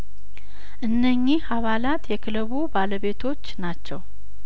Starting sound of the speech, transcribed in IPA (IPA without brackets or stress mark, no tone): ʔ